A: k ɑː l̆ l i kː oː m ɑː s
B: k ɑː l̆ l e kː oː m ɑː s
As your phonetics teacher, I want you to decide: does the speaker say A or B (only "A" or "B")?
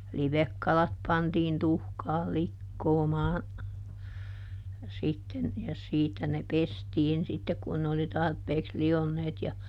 A